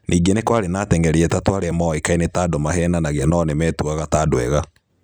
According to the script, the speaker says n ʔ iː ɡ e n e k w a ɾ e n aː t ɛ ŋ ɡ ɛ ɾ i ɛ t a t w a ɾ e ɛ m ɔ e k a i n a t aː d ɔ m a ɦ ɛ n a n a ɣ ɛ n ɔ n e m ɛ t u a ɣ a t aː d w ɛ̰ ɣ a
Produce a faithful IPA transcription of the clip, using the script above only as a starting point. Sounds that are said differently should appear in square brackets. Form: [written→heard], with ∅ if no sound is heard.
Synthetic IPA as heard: n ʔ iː ɡ e n e k w a ɾ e n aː t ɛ ŋ ɡ ɛ ɾ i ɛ t a t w a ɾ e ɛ m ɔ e k a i n [a→e] t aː d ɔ m a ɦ ɛ n a n a ɣ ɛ n ɔ n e m ɛ t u a ɣ a t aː d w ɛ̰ ɣ a

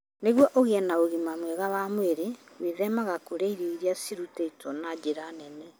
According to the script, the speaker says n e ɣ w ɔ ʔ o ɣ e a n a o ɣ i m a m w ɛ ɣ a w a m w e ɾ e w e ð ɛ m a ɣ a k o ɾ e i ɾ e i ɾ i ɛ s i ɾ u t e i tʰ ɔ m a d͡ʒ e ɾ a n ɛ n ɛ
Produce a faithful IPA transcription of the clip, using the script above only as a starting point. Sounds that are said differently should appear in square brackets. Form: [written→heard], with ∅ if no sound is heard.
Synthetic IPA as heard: n e ɣ w ɔ ʔ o ɣ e [a→ɛ] n a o ɣ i m a m w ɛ ɣ a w a m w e ɾ e w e ð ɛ m a ɣ a k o ɾ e i ɾ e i ɾ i [ɛ→a] s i ɾ u t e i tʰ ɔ [m→n] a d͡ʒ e ɾ a n ɛ n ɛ

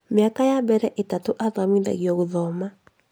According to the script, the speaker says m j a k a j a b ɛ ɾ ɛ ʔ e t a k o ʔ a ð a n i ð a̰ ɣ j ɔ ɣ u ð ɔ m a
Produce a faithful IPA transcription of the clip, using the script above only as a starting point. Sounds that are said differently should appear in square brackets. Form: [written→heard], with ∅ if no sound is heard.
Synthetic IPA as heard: m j a k a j a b ɛ ɾ ɛ ʔ e t a [k→t] o ʔ a ð a [n→m] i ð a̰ ɣ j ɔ ɣ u ð ɔ m a

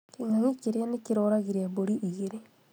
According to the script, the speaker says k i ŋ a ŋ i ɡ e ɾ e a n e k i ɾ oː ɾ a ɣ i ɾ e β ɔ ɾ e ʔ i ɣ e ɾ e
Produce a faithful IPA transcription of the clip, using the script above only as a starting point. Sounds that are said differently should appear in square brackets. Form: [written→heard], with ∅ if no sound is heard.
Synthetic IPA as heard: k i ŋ a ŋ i [ɡ→k] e ɾ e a n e k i ɾ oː ɾ a ɣ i ɾ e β [ɔ→o] ɾ [e→i] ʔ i ɣ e ɾ e

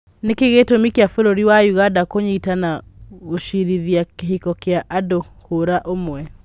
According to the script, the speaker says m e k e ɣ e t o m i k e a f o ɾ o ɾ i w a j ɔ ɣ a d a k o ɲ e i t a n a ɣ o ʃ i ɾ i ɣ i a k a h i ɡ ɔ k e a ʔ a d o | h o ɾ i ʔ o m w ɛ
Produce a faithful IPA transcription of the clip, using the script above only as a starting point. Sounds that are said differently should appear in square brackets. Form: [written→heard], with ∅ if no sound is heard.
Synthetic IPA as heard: [m→n] e k e ɣ e t o m i k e a f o ɾ o ɾ i w a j [ɔ→u] ɣ a d a k o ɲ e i t a n a ɣ o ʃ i ɾ i [ɣ→ð] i a k [a→e] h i [ɡ→k] ɔ k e a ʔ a d o | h o ɾ [i→a] ʔ o m w ɛ

